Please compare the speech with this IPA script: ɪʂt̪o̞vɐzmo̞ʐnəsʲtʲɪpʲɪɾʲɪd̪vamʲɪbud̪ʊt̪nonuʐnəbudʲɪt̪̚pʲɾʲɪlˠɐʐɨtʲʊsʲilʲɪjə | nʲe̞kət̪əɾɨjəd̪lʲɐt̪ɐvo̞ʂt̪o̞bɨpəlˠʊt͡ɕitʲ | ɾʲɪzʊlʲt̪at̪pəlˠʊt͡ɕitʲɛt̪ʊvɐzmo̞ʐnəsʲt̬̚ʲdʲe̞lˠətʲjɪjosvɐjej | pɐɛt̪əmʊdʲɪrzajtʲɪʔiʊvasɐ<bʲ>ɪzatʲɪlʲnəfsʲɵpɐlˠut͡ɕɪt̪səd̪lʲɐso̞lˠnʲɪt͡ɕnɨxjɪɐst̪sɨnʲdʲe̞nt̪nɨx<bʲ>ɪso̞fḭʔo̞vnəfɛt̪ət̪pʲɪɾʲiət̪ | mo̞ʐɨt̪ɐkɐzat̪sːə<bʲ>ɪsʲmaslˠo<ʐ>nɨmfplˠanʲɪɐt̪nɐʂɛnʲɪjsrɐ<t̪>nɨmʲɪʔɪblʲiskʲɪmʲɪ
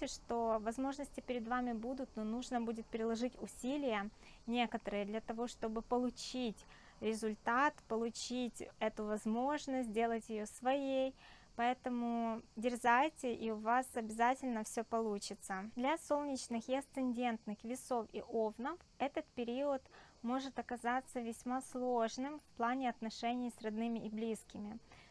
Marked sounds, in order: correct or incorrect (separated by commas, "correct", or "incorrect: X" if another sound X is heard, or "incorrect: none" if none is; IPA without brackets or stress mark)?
correct, incorrect: vʲ, incorrect: vʲ, correct, incorrect: d̪